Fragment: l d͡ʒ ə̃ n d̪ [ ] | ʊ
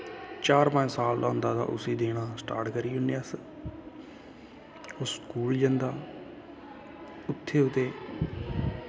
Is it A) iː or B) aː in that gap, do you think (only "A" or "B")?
B